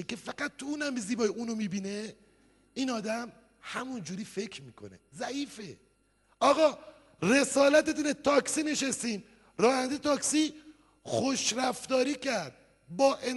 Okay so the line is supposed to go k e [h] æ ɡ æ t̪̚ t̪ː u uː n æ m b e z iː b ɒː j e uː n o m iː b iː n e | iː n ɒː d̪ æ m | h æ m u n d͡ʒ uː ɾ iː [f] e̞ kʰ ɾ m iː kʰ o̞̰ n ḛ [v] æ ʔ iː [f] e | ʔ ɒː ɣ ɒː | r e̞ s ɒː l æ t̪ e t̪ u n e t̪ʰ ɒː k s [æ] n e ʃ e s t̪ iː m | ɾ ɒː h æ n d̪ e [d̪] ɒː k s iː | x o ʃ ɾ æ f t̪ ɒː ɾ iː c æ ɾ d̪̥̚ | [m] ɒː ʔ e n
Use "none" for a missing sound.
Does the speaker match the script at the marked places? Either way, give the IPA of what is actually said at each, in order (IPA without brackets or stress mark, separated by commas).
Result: f, f, z, f, i, t̪, b